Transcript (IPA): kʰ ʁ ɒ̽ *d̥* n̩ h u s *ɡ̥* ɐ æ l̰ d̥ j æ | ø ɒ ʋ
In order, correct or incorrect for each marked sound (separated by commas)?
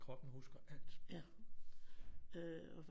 incorrect, correct